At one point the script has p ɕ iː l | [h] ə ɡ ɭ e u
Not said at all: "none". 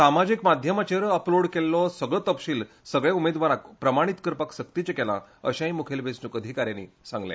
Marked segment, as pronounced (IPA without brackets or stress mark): s